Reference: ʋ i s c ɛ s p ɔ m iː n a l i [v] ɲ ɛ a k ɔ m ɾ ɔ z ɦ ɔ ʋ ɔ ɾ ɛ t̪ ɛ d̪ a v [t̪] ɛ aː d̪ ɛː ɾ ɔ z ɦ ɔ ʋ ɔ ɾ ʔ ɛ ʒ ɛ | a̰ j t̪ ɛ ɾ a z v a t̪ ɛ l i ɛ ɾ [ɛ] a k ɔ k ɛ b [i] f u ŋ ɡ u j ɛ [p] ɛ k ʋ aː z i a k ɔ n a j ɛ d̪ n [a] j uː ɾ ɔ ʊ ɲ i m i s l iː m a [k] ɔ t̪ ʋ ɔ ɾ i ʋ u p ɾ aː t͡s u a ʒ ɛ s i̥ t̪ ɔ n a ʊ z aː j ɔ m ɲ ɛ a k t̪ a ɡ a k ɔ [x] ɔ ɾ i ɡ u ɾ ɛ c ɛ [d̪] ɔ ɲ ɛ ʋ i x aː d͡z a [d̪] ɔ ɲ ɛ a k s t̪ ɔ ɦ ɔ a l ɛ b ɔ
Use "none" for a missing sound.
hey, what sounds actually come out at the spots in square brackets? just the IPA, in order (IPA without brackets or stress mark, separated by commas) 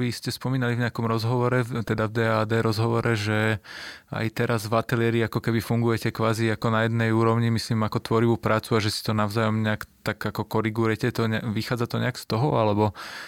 v, d̪, i, i, c, ɛ, k, k, t̪, t̪